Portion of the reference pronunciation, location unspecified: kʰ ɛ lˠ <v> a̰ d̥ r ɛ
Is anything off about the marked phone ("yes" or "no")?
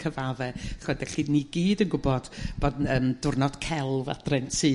no